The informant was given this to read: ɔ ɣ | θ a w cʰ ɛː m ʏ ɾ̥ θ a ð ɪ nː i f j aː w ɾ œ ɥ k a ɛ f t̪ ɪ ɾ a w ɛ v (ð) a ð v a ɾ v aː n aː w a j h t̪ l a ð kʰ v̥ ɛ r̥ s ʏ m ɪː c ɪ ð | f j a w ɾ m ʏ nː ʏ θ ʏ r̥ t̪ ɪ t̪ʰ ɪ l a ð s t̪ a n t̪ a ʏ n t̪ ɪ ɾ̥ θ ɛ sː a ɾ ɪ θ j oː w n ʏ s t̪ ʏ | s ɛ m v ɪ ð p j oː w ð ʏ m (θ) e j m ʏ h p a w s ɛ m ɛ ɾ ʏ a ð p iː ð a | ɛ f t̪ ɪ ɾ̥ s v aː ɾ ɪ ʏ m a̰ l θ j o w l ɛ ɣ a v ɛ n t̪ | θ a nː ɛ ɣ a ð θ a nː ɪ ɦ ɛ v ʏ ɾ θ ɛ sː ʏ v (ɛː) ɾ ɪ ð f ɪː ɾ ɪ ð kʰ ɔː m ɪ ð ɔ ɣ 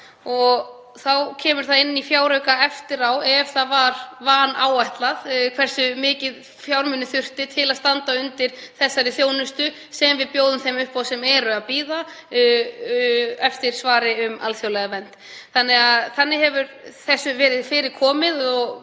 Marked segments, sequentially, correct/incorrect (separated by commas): incorrect, correct, correct